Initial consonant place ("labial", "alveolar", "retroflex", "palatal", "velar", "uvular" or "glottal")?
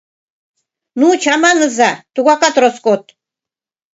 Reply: alveolar